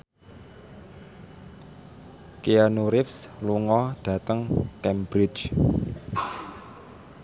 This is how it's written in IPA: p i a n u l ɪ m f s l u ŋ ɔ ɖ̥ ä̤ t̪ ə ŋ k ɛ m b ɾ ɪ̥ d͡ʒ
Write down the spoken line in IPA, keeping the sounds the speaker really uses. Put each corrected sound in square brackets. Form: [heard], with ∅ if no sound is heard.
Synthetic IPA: [k] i a n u [ɾ] ɪ [∅] f s l u ŋ ɔ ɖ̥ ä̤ t̪ ə ŋ k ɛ m b ɾ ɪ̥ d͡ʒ